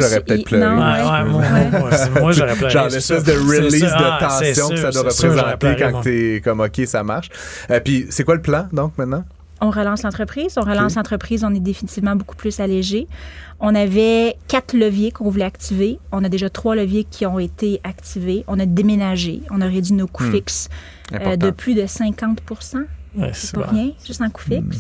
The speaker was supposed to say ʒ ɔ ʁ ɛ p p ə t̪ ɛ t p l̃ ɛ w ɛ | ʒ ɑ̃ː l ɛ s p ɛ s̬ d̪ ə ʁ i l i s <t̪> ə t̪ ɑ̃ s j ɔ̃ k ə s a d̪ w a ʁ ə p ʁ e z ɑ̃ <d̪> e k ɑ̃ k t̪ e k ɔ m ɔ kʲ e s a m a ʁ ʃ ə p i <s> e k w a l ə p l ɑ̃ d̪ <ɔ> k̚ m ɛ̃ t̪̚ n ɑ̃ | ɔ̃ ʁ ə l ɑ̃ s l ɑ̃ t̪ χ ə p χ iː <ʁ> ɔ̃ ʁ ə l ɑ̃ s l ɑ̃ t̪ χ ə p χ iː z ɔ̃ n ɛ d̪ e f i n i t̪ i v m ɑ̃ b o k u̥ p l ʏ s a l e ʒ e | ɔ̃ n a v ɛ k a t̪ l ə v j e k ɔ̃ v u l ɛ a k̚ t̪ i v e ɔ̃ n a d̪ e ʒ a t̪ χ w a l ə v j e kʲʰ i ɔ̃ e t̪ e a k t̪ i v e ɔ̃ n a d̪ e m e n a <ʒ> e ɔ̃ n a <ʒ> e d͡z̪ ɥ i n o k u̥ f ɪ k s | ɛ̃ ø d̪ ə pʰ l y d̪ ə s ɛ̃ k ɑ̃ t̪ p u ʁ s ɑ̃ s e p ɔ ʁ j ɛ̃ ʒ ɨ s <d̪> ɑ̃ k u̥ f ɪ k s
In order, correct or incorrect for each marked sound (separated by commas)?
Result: incorrect, incorrect, correct, incorrect, incorrect, correct, incorrect, incorrect